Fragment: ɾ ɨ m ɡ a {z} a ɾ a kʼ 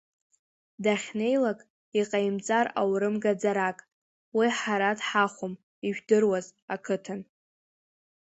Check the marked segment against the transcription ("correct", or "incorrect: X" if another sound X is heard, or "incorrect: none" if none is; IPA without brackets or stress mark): incorrect: d͡z